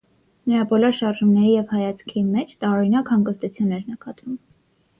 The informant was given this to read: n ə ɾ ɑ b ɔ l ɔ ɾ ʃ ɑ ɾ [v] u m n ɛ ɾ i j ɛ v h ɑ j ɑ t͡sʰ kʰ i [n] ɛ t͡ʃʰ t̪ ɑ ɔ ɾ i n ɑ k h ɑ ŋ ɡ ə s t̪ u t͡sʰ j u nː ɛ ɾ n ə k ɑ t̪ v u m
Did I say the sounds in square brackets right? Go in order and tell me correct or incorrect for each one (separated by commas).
incorrect, incorrect